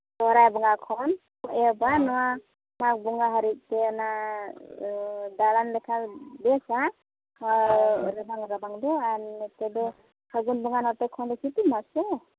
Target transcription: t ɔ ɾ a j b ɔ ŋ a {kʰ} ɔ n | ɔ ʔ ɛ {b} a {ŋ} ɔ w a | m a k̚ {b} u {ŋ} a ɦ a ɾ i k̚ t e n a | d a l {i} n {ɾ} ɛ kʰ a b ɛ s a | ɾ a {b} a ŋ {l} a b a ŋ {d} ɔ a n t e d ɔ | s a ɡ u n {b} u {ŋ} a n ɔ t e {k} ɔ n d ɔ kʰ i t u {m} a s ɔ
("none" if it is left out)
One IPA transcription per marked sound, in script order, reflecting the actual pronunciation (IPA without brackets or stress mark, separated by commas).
kʰ, b, n, b, ŋ, a, l, b, ɾ, d, b, ŋ, kʰ, m